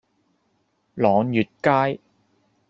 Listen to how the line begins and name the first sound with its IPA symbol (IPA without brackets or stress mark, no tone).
l